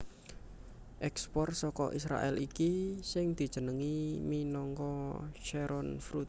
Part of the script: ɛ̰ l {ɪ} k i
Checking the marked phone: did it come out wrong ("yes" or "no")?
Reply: yes